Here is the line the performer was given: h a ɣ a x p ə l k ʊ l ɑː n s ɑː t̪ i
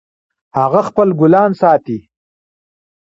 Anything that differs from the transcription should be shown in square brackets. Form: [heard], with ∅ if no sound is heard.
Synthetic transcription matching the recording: h a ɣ a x p ə l [ɡ] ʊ l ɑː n s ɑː t̪ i